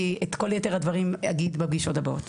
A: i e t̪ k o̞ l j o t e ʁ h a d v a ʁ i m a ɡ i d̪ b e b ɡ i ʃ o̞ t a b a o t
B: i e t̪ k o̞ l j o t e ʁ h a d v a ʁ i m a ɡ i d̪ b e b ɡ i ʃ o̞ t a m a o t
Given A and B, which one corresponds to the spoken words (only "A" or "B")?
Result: A